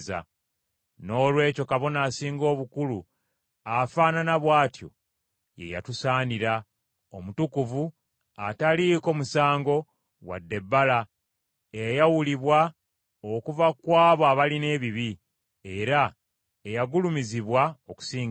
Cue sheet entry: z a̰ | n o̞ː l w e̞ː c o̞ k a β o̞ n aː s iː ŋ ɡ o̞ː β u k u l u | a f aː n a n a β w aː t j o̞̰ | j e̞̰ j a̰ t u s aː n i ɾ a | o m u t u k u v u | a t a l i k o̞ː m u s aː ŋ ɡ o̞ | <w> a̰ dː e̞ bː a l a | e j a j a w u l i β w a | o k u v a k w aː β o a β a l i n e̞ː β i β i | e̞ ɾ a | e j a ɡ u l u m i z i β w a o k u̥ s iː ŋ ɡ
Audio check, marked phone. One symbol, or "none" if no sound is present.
w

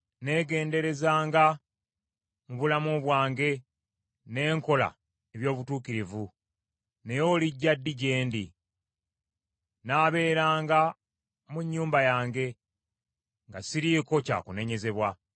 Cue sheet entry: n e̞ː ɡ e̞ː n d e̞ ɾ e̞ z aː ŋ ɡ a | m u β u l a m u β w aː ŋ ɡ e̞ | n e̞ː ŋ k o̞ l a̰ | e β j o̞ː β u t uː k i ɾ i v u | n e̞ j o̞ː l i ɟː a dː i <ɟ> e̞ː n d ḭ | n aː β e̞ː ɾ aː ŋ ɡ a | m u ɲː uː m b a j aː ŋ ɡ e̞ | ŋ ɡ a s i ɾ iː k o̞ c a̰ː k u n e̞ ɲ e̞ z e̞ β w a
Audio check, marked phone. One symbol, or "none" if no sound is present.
ɟ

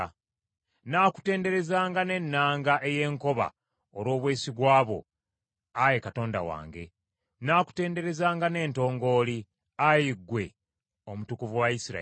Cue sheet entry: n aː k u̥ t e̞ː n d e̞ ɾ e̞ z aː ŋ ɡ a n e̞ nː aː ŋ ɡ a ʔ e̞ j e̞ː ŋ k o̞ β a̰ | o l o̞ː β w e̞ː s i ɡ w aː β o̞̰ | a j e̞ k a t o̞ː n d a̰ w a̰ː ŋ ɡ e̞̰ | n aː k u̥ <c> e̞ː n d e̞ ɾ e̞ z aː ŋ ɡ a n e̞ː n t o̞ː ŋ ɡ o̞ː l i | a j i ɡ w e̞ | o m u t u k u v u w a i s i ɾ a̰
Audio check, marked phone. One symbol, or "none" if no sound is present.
t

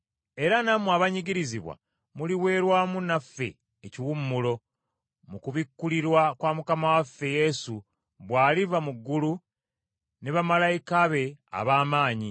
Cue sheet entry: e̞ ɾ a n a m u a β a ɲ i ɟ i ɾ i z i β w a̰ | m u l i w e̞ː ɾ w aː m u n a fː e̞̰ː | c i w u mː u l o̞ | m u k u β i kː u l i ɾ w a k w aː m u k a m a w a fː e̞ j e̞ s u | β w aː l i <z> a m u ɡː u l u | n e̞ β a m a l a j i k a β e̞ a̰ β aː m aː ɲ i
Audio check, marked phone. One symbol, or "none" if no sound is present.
v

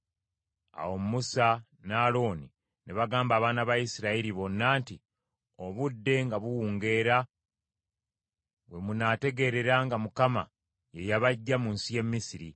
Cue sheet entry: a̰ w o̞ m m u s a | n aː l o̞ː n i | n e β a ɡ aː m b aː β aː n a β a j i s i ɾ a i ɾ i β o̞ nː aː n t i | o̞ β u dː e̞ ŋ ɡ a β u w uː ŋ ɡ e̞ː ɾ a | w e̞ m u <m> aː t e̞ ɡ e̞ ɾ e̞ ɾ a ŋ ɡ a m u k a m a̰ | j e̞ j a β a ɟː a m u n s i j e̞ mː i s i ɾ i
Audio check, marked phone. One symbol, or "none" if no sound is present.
n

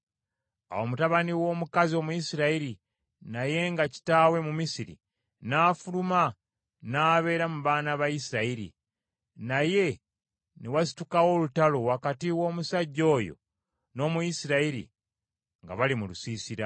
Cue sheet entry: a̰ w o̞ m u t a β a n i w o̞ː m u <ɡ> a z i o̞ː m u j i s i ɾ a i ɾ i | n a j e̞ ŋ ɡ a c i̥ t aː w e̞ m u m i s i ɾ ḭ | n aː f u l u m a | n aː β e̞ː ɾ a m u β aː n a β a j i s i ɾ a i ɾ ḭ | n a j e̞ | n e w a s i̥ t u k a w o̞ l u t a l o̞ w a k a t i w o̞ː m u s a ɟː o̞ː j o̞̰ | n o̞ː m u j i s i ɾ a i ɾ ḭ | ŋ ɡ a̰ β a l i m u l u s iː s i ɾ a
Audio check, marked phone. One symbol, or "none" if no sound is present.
k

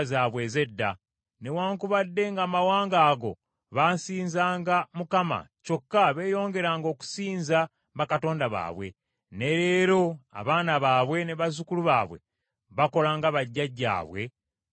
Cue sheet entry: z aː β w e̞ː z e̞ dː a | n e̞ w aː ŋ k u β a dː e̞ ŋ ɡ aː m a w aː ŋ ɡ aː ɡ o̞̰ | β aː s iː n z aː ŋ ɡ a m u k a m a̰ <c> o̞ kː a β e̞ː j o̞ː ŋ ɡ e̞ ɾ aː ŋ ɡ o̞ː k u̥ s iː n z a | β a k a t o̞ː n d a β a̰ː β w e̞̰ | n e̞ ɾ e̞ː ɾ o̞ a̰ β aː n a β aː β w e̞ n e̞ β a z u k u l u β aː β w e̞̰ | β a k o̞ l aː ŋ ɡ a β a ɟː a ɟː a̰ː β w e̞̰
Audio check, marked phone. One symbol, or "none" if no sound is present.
c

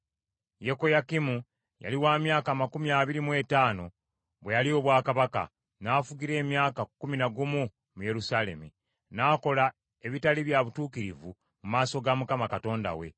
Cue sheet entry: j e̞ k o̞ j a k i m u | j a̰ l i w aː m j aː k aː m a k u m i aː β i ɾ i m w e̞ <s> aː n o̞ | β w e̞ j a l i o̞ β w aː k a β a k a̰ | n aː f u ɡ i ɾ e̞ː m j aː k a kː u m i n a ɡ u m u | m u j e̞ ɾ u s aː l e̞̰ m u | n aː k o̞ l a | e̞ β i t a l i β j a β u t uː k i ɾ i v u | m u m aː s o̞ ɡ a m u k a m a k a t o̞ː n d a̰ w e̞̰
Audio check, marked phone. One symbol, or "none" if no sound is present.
t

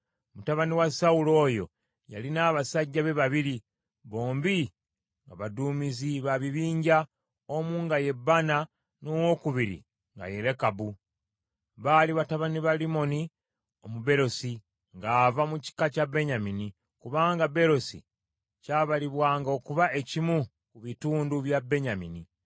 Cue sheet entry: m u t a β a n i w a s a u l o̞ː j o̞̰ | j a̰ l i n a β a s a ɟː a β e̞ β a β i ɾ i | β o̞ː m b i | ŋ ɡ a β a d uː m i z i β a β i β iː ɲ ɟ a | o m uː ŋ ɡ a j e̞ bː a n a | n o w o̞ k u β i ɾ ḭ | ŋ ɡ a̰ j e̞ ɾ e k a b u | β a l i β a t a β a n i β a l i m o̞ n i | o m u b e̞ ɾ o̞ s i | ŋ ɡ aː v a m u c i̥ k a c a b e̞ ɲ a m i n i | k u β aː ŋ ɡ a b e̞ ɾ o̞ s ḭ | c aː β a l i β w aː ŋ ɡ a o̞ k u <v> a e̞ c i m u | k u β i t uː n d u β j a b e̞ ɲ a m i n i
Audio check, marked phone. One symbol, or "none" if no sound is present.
β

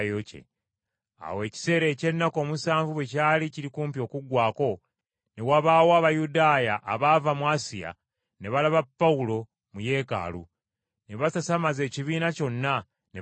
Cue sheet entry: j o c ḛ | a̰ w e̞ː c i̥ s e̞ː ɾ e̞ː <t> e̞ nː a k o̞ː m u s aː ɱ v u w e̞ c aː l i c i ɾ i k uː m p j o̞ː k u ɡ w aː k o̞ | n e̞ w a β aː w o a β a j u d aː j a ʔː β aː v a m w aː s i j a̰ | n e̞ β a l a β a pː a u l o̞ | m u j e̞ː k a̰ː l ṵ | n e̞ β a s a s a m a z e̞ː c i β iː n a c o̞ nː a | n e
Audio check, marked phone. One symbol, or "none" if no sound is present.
c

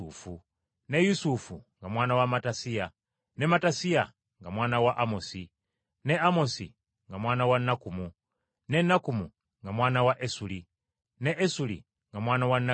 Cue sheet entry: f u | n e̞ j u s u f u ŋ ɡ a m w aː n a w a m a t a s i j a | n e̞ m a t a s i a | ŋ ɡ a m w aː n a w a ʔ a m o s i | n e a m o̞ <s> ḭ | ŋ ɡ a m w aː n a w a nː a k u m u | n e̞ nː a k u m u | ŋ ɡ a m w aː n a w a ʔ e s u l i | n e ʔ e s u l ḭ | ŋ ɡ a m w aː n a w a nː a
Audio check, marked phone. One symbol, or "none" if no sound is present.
s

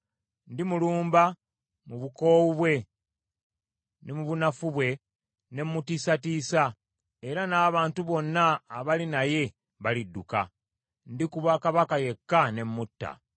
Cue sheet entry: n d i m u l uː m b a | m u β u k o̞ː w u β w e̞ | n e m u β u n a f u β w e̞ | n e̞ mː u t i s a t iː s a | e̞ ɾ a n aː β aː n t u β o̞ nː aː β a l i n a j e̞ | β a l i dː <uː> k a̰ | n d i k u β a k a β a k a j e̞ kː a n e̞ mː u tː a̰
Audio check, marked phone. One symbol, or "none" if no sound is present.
u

